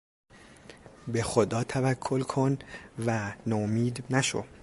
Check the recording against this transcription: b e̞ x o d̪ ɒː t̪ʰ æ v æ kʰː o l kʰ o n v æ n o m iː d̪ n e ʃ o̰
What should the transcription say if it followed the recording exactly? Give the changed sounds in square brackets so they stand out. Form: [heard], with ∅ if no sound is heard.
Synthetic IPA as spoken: b e̞ x o d̪ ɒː t̪ʰ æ v æ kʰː o l kʰ o n v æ n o m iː d̪ n [æ] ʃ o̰